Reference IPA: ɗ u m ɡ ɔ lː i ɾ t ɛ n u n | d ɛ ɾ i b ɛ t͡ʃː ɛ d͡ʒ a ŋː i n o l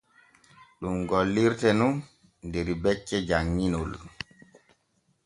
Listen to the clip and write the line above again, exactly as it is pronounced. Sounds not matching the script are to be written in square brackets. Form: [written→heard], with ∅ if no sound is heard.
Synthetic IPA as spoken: ɗ u m ɡ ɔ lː i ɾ t ɛ n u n | d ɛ ɾ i b ɛ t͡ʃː ɛ d͡ʒ a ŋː i n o l